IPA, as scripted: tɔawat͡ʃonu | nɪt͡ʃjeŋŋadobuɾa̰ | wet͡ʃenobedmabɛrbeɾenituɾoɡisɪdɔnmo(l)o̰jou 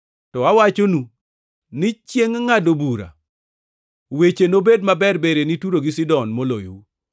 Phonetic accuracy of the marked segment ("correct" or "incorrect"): correct